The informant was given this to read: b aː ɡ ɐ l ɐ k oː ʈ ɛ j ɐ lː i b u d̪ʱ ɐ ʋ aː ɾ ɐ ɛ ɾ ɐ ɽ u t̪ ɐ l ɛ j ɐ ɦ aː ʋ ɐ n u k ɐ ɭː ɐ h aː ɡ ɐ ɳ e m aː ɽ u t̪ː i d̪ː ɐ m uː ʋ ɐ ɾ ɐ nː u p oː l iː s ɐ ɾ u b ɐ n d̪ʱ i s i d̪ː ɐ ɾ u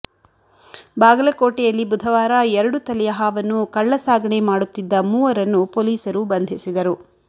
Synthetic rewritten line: b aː ɡ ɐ l ɐ k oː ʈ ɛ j ɐ lː i b u d̪ʱ ɐ ʋ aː ɾ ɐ ɛ ɾ ɐ ɽ u t̪ ɐ l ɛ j ɐ ɦ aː ʋ ɐ nː u k ɐ ɭː ɐ s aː ɡ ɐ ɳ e m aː ɽ u t̪ː i d̪ː ɐ m uː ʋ ɐ ɾ ɐ nː u p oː l iː s ɐ ɾ u b ɐ n d̪ʱ i s i d̪ ɐ ɾ u